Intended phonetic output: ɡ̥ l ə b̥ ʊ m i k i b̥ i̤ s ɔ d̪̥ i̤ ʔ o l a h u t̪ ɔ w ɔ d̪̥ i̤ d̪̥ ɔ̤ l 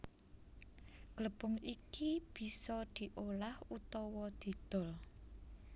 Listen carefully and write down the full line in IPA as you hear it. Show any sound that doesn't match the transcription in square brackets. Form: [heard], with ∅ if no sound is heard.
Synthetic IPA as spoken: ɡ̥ l ə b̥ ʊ [ŋ] i k i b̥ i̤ s ɔ d̪̥ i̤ ʔ o l a h u t̪ ɔ w ɔ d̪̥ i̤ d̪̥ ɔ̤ l